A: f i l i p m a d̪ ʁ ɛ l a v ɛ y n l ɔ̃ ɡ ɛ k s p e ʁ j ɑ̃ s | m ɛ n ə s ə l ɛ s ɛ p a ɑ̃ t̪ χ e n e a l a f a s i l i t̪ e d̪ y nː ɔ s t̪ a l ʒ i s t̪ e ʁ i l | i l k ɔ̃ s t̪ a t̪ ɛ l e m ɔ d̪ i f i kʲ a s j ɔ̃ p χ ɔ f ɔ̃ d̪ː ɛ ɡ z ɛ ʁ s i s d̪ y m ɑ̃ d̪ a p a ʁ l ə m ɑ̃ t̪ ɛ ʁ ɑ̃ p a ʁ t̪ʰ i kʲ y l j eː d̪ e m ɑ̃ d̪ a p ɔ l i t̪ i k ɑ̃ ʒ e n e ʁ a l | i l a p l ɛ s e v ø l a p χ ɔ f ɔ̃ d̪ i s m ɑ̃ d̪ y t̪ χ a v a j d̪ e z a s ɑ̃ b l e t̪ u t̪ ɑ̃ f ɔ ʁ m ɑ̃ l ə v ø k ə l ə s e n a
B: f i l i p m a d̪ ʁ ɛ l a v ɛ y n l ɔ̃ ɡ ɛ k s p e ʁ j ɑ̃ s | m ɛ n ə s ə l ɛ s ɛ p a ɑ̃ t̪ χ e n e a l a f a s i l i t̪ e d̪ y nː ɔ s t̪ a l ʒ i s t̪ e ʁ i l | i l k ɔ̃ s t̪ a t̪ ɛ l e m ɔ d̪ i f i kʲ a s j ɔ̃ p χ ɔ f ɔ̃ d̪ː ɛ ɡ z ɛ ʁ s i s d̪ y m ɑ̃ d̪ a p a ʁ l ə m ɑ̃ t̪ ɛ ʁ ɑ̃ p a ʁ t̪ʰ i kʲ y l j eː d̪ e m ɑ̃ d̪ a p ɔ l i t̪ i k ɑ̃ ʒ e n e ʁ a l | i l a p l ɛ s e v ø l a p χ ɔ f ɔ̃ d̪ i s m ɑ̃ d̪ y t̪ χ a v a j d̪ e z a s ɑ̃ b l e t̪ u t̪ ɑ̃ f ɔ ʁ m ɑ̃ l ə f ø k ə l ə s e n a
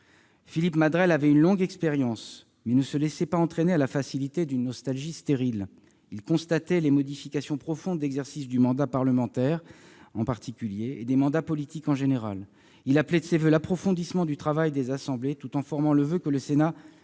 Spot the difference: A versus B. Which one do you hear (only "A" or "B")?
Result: A